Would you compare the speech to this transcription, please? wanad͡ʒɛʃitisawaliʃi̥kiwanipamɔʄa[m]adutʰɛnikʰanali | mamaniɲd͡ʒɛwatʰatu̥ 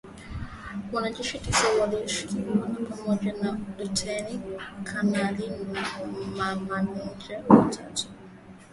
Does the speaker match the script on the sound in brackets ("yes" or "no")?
no